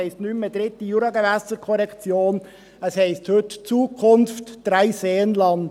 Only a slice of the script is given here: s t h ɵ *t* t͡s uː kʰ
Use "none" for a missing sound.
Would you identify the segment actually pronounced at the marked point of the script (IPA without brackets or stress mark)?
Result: t